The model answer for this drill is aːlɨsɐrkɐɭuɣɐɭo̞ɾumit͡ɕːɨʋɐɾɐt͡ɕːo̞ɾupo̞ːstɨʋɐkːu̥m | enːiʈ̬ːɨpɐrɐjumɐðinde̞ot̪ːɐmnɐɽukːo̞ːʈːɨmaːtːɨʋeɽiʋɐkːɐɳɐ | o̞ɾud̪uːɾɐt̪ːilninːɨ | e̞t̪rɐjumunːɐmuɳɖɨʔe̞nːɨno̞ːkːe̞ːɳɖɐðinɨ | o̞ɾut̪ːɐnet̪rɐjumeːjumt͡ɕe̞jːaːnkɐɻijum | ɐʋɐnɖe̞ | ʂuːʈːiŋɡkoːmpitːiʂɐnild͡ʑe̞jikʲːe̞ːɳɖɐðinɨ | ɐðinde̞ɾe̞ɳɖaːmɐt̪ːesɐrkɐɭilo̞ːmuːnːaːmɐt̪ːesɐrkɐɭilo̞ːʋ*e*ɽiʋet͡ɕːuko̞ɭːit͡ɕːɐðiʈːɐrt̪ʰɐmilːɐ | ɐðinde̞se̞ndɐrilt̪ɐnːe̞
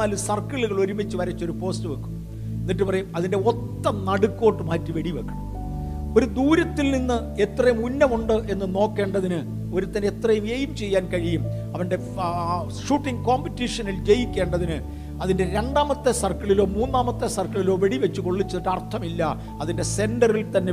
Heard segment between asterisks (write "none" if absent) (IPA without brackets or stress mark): e